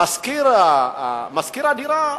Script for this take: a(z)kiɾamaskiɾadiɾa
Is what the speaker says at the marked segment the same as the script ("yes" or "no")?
no